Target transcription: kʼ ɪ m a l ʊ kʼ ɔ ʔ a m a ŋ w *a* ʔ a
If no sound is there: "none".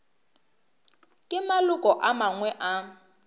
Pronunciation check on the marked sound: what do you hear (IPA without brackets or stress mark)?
ɛ